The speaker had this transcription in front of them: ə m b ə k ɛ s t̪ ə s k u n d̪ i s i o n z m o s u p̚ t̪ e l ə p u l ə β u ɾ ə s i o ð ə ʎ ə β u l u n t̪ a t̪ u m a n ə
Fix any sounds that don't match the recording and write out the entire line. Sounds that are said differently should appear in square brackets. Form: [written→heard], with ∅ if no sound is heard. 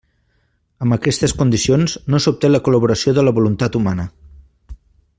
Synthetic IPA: ə m b ə k ɛ s t̪ ə s k u n d̪ i s i o n z [m→n] o s u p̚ t̪ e l ə [p→k] u l ə β u ɾ ə s i o ð ə [ʎ→l] ə β u l u n t̪ a t̪ u m a n ə